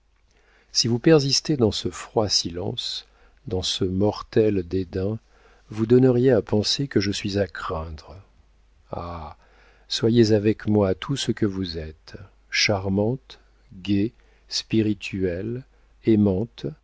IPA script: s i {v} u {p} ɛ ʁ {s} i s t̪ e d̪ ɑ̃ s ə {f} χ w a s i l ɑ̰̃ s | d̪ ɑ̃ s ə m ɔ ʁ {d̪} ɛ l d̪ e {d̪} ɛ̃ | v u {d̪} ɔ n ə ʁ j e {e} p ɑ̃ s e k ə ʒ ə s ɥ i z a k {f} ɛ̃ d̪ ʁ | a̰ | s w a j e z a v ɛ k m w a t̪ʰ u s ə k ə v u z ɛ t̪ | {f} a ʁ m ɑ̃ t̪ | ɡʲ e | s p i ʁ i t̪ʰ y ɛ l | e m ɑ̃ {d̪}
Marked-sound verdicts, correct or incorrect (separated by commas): correct, correct, incorrect, correct, incorrect, correct, correct, incorrect, incorrect, incorrect, incorrect